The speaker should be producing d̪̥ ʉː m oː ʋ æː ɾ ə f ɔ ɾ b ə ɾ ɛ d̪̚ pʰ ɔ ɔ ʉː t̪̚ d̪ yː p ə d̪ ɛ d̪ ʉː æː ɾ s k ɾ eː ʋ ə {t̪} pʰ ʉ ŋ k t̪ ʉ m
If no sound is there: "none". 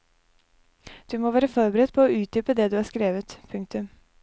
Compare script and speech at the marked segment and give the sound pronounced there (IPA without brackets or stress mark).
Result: t̪